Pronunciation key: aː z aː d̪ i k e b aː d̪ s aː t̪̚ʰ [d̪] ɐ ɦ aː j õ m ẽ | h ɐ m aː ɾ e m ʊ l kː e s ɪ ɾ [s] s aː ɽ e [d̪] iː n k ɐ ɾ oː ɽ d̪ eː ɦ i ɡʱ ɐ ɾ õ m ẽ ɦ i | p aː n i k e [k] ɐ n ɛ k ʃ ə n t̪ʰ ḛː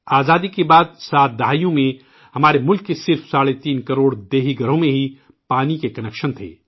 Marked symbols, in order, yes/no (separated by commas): yes, no, no, yes